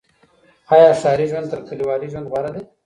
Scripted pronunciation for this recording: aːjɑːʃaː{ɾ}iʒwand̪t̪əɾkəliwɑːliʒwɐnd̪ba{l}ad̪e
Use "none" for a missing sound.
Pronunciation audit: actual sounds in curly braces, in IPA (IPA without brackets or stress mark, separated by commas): ɾ, ɾ